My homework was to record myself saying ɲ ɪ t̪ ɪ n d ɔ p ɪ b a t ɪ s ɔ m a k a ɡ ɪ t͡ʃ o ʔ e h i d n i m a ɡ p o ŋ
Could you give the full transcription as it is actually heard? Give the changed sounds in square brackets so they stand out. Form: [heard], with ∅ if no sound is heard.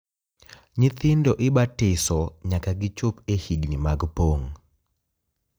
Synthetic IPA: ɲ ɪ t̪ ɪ n d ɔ [ʔ] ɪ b a t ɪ s ɔ [ɲ] a k a ɡ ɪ t͡ʃ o [p] e h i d n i m a ɡ p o ŋ